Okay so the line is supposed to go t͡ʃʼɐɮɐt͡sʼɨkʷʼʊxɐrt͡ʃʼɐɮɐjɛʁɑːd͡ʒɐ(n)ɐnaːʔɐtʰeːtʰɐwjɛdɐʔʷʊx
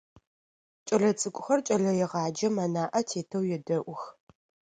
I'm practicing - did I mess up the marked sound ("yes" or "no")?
yes